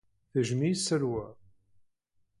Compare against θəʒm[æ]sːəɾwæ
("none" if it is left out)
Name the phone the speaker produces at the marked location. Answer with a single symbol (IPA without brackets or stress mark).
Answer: i